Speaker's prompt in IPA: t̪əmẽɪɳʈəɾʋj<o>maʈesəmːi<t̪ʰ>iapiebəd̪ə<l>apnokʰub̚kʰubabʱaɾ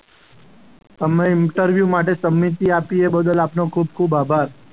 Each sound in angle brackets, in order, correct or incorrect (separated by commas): incorrect, incorrect, correct